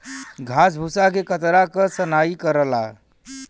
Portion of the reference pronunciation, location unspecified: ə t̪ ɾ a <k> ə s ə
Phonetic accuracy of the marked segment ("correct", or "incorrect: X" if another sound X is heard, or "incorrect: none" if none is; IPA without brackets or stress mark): correct